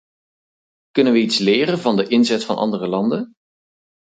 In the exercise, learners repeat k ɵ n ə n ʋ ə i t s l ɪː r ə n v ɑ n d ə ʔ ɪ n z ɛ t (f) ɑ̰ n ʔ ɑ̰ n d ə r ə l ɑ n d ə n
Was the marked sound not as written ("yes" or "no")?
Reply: no